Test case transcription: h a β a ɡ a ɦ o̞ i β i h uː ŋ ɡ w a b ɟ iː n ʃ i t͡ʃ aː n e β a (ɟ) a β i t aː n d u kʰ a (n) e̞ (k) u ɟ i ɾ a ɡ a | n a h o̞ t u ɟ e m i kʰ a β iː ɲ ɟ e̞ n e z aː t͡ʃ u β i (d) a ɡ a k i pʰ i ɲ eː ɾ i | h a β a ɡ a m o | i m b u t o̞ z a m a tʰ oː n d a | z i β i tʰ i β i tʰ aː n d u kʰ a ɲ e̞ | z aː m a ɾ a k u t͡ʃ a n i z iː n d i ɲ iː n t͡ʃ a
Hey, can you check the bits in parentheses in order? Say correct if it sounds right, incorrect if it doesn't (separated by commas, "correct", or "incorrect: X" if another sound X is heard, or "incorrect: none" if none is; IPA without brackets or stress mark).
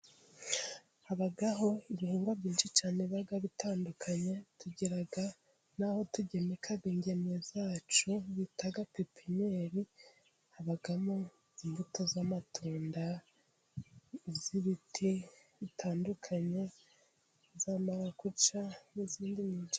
incorrect: ɡ, incorrect: ɲ, incorrect: t, incorrect: t